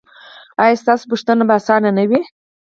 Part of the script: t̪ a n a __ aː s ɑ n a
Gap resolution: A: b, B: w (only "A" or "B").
A